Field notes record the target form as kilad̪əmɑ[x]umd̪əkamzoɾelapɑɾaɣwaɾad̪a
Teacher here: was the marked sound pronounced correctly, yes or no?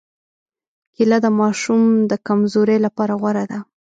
no